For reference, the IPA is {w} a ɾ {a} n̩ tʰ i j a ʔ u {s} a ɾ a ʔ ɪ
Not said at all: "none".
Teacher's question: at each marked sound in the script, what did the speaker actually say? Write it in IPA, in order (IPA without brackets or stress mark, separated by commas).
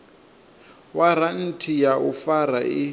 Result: w, a, f